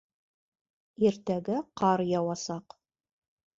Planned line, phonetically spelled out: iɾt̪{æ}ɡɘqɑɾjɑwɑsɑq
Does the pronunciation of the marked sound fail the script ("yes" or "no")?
no